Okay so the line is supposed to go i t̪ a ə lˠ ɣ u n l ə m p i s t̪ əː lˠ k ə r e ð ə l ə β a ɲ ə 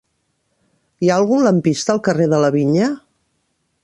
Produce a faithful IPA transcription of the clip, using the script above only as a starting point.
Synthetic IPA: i a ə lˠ ɣ u n l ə m p i s t̪ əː lˠ k ə r e ð ə l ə β i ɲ ə